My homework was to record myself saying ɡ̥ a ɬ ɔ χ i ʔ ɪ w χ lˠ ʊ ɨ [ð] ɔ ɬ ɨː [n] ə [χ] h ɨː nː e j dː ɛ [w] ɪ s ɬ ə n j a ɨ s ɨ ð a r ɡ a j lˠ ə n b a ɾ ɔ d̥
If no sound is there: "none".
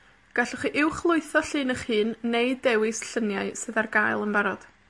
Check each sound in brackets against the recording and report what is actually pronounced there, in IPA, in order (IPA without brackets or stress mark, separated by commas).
θ, n, χ, w